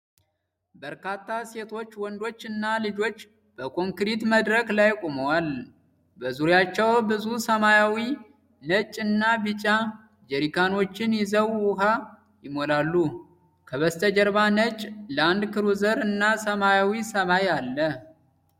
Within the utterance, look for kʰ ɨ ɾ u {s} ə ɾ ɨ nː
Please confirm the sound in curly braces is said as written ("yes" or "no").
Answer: no